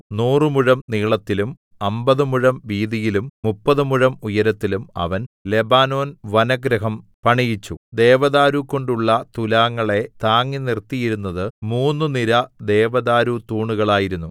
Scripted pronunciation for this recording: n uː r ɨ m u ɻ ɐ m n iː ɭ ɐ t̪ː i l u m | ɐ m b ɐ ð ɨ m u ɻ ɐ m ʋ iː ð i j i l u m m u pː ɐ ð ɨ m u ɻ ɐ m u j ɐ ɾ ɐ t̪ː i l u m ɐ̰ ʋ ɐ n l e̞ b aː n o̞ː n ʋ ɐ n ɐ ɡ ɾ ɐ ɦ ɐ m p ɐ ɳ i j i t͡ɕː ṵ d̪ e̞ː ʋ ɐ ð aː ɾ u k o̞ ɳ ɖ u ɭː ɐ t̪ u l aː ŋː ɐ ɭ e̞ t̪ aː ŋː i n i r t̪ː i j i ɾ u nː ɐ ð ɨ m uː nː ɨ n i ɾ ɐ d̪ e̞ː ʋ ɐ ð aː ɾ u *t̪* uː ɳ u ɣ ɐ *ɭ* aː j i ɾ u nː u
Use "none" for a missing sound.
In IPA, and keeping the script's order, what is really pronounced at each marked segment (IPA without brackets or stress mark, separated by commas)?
t̪, ɭ